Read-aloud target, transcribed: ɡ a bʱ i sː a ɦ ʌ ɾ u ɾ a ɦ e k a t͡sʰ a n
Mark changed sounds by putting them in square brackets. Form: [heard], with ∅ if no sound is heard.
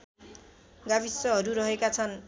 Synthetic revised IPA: ɡ a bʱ i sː [ʌ] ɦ ʌ ɾ u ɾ [ʌ] ɦ e k a t͡sʰ [ʌ] n

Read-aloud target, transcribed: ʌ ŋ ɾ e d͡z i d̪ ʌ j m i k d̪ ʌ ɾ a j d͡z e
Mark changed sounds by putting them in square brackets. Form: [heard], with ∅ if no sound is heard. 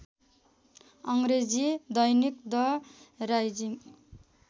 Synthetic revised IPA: ʌ ŋ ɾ e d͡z i d̪ ʌ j [n] i k d̪ ʌ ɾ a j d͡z [i]

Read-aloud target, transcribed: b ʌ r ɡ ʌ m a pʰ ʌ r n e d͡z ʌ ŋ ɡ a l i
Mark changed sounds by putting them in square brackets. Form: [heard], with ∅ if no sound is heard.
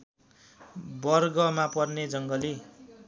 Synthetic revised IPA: b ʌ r ɡ ʌ m a [p] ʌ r n e d͡z ʌ ŋ ɡ [ʌ] l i

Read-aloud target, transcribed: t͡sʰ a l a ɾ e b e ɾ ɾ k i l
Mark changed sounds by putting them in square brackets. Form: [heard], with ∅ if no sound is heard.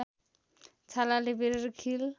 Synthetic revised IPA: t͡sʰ a l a [l] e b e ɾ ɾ [kʰ] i l

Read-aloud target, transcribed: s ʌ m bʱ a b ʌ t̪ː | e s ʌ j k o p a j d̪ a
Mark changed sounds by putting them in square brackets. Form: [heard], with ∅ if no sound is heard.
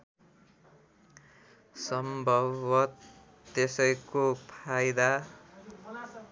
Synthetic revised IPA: s ʌ m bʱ [ʌ] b ʌ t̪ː | e s ʌ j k o [pʰ] a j d̪ a

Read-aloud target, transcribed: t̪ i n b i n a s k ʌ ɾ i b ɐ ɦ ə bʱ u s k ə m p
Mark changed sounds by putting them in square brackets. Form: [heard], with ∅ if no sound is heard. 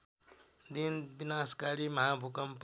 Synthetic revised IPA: [d̪] i n b i n a s k [a] ɾ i [m] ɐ ɦ [a] bʱ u [∅] k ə m p

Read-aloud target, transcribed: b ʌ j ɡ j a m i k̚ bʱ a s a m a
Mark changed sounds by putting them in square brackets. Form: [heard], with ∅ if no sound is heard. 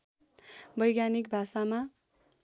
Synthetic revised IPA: b ʌ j ɡ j a [n] i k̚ bʱ a s a m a

